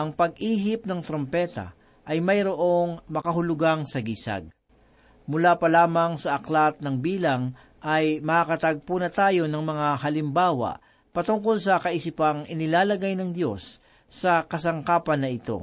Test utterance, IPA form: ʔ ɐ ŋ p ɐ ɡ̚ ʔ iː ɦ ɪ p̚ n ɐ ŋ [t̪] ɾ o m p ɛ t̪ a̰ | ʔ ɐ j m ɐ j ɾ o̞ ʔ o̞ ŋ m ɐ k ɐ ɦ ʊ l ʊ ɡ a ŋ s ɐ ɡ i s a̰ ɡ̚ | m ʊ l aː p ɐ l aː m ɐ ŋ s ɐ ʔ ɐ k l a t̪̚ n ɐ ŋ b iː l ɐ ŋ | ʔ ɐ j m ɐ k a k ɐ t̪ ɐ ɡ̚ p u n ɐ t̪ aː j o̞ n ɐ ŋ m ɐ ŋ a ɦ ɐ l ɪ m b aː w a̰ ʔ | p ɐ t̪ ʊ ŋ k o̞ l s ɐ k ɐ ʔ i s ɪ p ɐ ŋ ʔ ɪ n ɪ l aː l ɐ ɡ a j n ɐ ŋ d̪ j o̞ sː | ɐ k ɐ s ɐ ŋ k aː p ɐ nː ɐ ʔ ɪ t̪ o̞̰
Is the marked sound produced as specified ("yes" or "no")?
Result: yes